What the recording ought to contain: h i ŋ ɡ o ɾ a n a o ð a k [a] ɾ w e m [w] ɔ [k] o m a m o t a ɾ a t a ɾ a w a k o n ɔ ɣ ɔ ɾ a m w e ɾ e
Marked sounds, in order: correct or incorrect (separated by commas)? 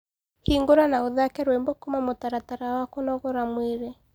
incorrect, incorrect, correct